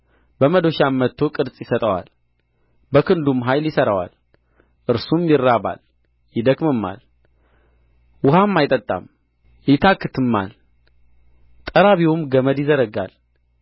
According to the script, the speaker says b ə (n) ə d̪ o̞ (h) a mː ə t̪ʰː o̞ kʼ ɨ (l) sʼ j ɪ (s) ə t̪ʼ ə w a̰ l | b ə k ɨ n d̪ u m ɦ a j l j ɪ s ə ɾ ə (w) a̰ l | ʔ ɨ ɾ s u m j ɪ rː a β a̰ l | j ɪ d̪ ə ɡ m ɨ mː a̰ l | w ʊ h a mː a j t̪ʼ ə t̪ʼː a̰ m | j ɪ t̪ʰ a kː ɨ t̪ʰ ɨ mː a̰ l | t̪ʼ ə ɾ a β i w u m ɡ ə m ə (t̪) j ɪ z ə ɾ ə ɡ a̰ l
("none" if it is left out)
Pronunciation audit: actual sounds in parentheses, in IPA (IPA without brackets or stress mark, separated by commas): m, ʃ, ɾ, s, w, d̪